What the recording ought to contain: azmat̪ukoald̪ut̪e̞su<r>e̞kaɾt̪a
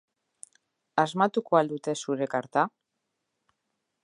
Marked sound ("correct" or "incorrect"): incorrect